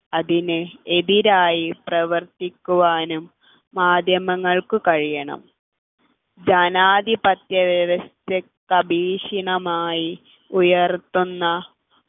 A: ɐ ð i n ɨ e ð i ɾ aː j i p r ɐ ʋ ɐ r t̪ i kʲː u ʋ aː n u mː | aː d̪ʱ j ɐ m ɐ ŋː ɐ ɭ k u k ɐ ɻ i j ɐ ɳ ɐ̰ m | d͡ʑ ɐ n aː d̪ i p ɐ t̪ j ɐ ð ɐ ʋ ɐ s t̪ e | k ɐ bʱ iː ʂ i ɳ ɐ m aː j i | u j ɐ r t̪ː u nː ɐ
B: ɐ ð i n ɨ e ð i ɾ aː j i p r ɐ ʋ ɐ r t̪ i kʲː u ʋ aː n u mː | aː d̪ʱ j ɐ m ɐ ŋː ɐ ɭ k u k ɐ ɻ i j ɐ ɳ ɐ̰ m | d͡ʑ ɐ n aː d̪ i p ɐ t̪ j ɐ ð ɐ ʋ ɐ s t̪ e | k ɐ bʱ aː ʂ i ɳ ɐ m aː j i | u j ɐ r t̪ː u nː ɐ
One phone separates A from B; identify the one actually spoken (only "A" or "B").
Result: A